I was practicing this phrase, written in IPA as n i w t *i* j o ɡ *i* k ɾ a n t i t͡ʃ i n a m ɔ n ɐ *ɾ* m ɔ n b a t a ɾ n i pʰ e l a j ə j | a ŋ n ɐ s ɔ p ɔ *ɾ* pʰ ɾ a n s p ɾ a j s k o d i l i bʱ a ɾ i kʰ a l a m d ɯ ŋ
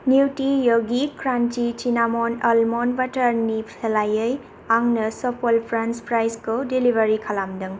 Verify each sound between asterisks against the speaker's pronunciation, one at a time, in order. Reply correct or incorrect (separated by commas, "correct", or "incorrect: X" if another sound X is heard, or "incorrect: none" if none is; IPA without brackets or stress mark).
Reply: correct, correct, incorrect: l, incorrect: l